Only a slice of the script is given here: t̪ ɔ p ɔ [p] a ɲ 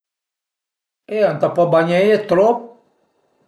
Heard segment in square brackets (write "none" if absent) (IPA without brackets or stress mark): b